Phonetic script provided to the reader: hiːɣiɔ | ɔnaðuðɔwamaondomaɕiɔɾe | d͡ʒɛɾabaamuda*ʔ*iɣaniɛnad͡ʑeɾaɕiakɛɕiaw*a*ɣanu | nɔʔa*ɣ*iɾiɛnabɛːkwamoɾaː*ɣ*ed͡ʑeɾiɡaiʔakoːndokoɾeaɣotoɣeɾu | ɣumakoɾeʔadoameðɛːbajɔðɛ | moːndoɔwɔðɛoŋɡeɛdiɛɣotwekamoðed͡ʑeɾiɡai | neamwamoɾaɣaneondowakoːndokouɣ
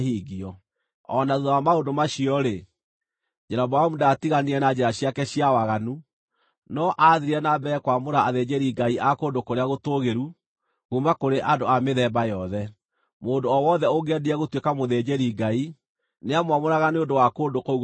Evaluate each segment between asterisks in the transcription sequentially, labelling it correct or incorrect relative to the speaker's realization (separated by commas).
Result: incorrect, correct, incorrect, incorrect